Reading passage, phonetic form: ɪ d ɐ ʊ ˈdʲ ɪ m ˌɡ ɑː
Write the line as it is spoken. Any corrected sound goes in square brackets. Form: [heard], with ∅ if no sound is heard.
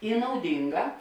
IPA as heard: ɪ [n] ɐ ʊ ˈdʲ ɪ [ŋ] ˌɡ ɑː

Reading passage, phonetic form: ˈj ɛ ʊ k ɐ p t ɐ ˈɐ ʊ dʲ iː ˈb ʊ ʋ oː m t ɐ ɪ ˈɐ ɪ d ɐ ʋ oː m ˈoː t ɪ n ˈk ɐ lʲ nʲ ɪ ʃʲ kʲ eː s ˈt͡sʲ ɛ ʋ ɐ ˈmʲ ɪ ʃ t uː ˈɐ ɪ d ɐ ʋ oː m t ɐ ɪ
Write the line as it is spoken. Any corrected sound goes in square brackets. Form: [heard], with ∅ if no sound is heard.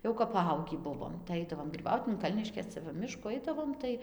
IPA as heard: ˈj ɛ ʊ k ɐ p [p] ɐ ˈɐ ʊ [ɡʲ] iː ˈb ʊ ʋ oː m t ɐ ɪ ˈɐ ɪ d ɐ ʋ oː m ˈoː t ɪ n ˈk ɐ lʲ nʲ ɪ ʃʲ kʲ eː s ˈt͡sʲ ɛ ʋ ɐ ˈmʲ ɪ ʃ [k] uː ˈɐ ɪ d ɐ ʋ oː m t ɐ ɪ

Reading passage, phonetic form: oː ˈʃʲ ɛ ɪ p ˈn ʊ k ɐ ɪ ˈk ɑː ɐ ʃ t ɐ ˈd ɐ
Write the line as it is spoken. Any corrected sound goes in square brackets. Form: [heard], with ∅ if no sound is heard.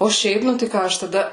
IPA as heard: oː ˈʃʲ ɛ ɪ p ˈn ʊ [t] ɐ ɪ ˈk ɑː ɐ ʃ t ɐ ˈd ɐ

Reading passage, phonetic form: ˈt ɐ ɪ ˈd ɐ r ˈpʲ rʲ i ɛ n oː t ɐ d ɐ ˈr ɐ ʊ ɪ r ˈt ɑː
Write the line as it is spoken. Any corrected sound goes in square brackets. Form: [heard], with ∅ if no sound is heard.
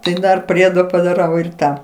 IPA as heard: ˈt ɐ ɪ ˈd ɐ r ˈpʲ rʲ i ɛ [d] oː [p] ɐ d ɐ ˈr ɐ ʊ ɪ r ˈt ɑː

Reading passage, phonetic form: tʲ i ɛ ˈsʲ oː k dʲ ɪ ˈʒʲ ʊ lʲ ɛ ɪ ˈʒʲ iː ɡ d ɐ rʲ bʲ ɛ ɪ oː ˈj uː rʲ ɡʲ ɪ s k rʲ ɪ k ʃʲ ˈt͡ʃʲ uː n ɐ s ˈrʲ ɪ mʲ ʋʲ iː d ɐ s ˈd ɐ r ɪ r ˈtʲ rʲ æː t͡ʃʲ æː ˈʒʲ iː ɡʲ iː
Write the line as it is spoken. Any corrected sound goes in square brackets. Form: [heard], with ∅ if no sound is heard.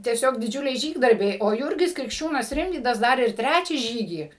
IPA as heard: tʲ i ɛ ˈsʲ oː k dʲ ɪ [ˈd͡ʒʲ] ʊ lʲ ɛ ɪ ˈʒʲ iː ɡ d ɐ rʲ bʲ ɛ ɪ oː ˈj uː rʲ ɡʲ ɪ s k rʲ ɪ k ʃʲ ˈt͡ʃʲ uː n ɐ s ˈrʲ ɪ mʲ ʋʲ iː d ɐ s ˈd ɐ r ɪ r ˈtʲ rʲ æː t͡ʃʲ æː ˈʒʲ iː ɡʲ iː

